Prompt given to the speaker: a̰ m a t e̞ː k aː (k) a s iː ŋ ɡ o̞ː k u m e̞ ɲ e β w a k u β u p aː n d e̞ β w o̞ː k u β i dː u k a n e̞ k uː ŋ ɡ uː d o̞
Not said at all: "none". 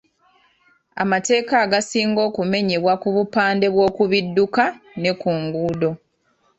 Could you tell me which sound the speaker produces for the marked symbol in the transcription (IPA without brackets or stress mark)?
ɡ